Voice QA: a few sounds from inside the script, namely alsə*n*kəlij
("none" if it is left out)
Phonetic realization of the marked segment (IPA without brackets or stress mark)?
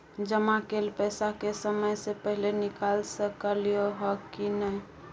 none